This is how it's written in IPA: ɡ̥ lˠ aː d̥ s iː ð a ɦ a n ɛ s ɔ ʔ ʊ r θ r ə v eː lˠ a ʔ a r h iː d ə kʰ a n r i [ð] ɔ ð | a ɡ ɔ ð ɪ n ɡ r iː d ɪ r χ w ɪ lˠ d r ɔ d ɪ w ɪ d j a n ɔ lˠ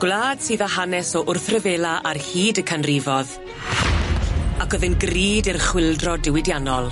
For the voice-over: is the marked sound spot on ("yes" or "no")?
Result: no